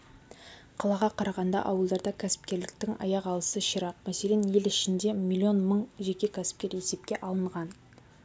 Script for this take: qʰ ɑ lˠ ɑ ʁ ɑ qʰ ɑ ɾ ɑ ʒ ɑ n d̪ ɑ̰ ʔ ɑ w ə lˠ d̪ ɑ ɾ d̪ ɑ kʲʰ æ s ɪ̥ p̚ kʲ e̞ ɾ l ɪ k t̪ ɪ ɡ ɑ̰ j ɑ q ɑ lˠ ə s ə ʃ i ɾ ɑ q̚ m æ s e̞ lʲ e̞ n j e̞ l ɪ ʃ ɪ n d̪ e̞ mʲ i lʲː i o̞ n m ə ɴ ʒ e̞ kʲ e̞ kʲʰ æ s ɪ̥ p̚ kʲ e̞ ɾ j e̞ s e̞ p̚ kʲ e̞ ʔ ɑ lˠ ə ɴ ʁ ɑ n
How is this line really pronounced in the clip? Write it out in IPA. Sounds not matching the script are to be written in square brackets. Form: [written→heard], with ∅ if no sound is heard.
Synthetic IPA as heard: qʰ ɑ lˠ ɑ ʁ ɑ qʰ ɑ ɾ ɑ [ʒ→ʁ] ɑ n d̪ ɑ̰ ʔ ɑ w ə lˠ d̪ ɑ ɾ d̪ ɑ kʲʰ æ s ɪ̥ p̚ kʲ e̞ ɾ l ɪ k t̪ ɪ [ɡ→ŋ] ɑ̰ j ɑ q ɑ lˠ ə s ə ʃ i ɾ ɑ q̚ m æ s e̞ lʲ e̞ n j e̞ l ɪ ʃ ɪ n d̪ e̞ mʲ i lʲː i o̞ n m ə ɴ ʒ e̞ kʲ e̞ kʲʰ æ s ɪ̥ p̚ kʲ e̞ ɾ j e̞ s e̞ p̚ kʲ e̞ ʔ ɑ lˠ ə ɴ ʁ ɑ n